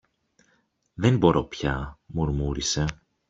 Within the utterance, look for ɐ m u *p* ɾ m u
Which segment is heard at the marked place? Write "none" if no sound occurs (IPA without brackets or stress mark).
none